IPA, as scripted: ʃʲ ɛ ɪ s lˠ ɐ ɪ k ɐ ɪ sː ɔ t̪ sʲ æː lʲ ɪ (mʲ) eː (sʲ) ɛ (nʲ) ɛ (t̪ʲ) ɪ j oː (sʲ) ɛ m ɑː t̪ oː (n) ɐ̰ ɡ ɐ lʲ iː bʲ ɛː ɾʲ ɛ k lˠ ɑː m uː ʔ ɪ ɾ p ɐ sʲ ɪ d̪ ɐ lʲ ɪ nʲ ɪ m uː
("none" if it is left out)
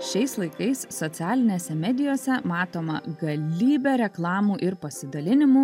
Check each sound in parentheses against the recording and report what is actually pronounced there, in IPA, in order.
nʲ, sʲ, mʲ, d̪ʲ, sʲ, m

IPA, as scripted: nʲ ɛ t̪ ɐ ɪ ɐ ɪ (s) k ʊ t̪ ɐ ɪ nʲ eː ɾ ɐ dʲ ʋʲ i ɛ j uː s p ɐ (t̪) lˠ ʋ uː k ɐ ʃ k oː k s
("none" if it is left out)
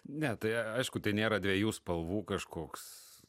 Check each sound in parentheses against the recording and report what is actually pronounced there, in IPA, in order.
ʃ, none

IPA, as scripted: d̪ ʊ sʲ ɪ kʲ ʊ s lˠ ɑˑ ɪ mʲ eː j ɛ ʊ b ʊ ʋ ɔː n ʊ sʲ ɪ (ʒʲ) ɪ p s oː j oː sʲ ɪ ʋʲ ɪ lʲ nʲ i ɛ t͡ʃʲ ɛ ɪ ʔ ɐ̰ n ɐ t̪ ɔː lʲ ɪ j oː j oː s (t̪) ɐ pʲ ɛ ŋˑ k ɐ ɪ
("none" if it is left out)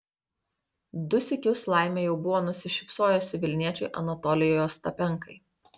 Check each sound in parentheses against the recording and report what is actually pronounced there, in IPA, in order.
ʃʲ, t̪

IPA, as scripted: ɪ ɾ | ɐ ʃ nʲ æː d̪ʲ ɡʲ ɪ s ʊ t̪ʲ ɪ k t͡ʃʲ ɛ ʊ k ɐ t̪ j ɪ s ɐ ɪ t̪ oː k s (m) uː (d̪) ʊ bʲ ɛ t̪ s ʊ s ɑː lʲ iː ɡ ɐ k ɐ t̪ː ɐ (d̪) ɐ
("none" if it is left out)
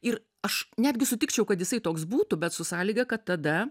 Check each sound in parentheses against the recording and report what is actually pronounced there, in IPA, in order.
b, t̪, d̪

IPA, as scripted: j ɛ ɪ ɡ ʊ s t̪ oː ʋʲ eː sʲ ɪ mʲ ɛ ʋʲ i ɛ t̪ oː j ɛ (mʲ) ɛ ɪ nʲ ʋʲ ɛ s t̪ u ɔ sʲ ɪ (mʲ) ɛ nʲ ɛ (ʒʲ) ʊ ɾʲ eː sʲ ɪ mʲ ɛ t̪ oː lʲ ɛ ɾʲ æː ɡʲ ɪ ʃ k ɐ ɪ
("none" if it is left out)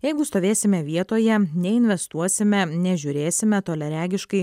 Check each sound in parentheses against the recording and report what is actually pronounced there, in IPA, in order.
nʲ, mʲ, ʒʲ

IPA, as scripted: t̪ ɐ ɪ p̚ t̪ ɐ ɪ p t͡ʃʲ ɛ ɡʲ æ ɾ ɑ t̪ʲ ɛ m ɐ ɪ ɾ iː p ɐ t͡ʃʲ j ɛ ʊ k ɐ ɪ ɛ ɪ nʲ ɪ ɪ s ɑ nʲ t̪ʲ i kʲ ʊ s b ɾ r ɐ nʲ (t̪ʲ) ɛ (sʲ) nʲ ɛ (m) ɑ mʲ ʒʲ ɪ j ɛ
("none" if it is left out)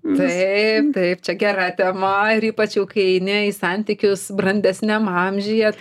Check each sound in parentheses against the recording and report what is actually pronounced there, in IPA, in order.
d̪ʲ, sʲ, m

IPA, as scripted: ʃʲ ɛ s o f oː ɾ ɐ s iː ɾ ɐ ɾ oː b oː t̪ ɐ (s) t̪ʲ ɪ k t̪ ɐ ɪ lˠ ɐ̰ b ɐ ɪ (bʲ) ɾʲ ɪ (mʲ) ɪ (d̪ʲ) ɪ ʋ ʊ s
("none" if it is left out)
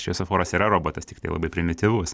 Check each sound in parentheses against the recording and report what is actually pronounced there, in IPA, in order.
s, pʲ, mʲ, t̪ʲ

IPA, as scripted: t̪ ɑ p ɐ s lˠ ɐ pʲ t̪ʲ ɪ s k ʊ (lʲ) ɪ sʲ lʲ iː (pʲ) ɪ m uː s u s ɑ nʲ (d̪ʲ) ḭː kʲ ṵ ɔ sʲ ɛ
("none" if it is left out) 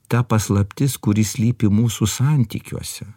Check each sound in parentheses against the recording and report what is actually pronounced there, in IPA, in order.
ɾʲ, pʲ, t̪ʲ

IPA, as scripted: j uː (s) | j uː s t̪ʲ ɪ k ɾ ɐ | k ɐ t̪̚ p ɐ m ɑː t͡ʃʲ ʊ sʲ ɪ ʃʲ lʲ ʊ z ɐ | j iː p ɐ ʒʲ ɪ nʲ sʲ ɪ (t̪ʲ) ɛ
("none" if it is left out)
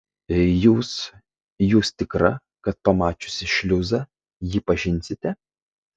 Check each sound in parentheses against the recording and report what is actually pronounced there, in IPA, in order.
s, t̪ʲ

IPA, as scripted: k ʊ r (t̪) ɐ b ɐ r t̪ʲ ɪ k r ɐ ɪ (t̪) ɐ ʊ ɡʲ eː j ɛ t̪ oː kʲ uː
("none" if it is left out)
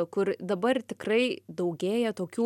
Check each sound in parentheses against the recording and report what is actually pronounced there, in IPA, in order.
d̪, d̪

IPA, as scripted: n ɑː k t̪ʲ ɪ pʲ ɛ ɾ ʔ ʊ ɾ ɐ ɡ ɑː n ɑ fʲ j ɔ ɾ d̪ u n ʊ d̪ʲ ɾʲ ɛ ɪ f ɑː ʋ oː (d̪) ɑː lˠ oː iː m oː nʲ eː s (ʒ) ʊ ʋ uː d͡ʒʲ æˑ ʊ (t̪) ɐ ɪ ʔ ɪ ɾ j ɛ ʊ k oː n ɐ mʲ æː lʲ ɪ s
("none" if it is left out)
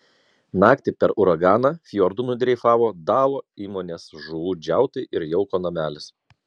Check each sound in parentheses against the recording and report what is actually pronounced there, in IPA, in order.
d̪, ʒ, t̪

